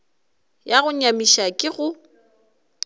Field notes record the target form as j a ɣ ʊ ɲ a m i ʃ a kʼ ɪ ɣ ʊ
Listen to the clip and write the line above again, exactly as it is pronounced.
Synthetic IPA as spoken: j a ɣ ʊ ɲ a m i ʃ a kʼ ɪ ɣ ʊ